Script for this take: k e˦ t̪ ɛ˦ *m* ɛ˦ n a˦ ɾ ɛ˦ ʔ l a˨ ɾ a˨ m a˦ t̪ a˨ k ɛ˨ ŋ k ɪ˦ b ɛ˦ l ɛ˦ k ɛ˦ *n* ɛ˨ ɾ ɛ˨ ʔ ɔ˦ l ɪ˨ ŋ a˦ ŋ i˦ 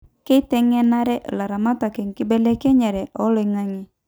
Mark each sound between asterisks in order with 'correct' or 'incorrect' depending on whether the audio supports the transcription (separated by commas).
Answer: incorrect, incorrect